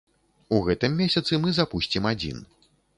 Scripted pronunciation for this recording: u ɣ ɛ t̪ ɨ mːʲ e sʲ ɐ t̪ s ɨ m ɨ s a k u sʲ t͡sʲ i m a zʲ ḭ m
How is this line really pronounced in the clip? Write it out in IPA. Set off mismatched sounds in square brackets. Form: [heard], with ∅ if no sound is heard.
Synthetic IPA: u ɣ ɛ t̪ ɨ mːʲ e sʲ ɐ t̪ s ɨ m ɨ [z] a [p] u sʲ t͡sʲ i m a [d͡zʲ] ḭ [n]